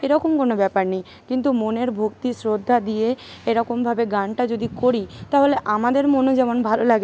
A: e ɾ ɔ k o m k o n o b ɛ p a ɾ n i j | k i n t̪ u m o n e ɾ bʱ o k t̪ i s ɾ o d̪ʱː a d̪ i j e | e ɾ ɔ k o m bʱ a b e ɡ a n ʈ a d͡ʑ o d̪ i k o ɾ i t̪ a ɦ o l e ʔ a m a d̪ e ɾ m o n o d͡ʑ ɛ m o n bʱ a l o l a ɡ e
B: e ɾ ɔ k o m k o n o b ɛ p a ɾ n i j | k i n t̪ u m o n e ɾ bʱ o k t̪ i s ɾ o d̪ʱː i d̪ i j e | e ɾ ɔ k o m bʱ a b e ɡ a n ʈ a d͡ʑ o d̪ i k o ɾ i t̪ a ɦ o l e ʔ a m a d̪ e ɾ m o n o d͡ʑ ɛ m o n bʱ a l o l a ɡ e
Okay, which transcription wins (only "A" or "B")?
A